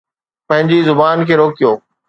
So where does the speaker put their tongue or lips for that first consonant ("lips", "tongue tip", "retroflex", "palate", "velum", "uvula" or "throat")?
lips